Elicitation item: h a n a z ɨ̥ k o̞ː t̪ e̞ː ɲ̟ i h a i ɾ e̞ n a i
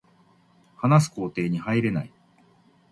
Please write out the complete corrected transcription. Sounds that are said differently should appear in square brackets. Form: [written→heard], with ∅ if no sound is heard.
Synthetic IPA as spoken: h a n a [z→s] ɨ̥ k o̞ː t̪ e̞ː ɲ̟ i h a i ɾ e̞ n a i